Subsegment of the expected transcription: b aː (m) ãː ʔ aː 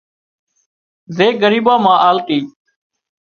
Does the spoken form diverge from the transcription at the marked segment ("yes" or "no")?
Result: no